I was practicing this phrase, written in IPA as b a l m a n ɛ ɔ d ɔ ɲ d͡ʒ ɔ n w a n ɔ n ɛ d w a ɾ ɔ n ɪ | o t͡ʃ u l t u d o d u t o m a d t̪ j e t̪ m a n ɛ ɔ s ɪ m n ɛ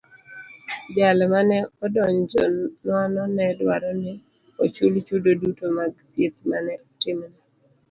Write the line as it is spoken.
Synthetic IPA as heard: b a l m a n ɛ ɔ d ɔ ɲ d͡ʒ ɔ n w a n ɔ n ɛ d w a ɾ ɔ n ɪ | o t͡ʃ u l t͡ʃ u d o d u t o m a ɡ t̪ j e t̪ m a n ɛ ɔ t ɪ m n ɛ